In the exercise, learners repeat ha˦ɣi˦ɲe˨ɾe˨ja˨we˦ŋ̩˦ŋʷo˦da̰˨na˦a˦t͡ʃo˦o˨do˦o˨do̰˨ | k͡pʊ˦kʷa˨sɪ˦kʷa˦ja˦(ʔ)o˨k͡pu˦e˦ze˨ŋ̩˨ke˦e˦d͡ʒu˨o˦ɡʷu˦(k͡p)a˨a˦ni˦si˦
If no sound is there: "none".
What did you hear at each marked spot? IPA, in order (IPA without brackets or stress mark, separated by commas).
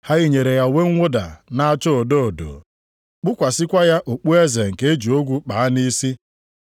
ʔ, k͡p